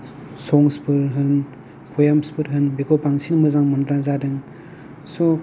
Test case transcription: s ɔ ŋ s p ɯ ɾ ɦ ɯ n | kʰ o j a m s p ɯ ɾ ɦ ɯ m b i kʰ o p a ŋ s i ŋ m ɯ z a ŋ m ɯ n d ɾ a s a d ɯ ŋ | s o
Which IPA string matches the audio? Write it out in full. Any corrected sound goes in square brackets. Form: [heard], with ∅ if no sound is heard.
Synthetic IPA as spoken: s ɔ ŋ s p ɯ ɾ ɦ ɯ n | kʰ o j a m s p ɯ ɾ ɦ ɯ [n] b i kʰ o p a ŋ s i [n] m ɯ z a ŋ m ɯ n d ɾ a [z] a d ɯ ŋ | s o